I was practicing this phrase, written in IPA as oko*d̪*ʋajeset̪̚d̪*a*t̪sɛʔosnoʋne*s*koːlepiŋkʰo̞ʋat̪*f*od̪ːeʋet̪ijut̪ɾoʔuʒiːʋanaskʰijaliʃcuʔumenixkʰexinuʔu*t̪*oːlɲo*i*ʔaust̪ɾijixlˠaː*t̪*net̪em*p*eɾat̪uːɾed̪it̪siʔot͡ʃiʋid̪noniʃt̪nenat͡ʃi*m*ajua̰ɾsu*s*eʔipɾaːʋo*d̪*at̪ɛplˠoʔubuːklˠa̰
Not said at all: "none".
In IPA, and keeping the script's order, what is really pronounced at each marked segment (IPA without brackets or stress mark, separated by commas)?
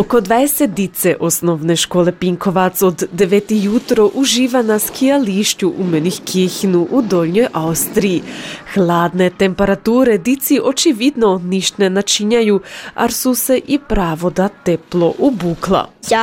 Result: d̪, i, ʃ, s, d̪, j, d̪, p, ɲ, s, d̪